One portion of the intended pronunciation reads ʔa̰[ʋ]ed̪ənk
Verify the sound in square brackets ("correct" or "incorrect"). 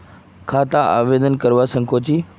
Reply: correct